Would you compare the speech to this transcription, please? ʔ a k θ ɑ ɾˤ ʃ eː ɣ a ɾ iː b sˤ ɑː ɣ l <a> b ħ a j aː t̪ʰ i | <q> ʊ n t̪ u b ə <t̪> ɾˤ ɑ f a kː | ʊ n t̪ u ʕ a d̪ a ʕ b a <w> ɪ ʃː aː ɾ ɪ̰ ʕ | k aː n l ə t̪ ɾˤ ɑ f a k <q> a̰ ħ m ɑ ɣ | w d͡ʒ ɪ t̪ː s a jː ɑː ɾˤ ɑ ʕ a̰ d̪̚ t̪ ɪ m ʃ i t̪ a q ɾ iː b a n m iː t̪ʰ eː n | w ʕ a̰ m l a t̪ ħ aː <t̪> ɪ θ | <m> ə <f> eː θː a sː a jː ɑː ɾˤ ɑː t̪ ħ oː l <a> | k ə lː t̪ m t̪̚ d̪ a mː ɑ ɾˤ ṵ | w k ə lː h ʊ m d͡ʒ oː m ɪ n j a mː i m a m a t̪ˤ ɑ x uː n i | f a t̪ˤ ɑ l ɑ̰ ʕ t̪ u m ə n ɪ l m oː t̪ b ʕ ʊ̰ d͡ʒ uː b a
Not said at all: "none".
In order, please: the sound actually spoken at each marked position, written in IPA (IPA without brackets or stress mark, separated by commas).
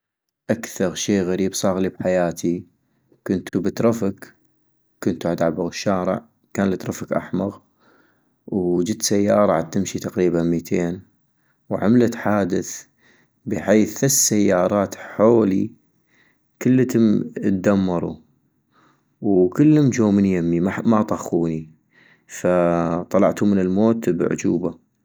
i, k, t̪, ɣ, ʔ, d̪, b, ħ, i